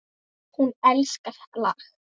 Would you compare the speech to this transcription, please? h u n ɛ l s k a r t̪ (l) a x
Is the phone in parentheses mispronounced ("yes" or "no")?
no